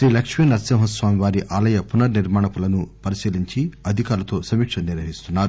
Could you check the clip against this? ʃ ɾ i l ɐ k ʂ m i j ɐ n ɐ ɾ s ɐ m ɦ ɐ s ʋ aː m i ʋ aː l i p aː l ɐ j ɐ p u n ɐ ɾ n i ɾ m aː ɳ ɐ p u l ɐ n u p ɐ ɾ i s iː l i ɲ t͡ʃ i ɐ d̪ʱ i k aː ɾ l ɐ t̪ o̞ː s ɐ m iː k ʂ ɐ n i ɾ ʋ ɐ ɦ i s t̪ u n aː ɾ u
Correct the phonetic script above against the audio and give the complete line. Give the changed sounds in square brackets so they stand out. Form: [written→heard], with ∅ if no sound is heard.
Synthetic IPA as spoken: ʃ ɾ [i→iː] l ɐ k ʂ m i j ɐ n ɐ ɾ s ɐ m ɦ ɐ s ʋ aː m i ʋ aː [l→ɾ] i [p→ʔ] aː l ɐ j ɐ p u n ɐ ɾ n i ɾ m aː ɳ ɐ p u l ɐ n u p ɐ ɾ i s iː l i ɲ t͡ʃ i ɐ d̪ʱ i k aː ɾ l ɐ t̪ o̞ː s ɐ m iː k ʂ ɐ n i ɾ ʋ ɐ ɦ i s t̪ u [n→nː] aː ɾ u